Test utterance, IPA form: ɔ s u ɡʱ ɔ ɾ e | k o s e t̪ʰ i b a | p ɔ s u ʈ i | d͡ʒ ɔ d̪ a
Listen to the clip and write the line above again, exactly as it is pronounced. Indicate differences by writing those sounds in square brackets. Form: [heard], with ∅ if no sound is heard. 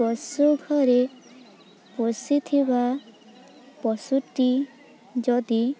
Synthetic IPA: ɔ s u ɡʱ ɔ ɾ e | [p] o s [i] t̪ʰ i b a | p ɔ s u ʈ i | d͡ʒ ɔ d̪ [i]